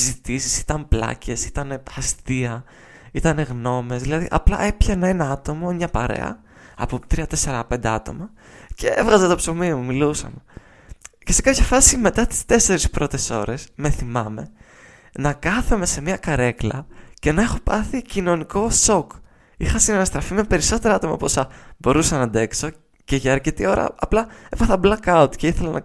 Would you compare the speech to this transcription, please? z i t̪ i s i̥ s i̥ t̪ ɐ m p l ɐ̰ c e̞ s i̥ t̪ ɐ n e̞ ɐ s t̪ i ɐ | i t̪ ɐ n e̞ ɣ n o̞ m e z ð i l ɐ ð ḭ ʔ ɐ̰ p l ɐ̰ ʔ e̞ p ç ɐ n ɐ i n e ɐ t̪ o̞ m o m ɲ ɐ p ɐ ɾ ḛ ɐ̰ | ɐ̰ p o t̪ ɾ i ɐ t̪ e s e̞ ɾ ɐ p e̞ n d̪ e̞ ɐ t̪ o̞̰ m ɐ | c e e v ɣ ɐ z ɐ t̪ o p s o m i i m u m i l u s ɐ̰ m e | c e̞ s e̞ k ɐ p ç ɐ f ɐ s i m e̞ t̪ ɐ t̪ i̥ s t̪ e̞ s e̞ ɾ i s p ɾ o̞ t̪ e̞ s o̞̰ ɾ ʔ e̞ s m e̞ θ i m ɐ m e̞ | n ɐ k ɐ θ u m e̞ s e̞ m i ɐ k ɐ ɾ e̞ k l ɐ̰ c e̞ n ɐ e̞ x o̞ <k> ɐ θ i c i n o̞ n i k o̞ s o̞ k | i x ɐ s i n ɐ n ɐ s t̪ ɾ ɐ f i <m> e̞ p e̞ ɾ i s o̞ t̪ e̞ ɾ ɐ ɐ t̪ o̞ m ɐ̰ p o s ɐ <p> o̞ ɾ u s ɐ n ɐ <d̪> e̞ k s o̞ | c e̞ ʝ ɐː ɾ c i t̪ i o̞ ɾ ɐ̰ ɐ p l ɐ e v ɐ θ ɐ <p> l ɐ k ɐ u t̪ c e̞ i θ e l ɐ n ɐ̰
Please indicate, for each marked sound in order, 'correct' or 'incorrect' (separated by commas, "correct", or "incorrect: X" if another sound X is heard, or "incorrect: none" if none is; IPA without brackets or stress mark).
incorrect: p, correct, incorrect: b, correct, incorrect: b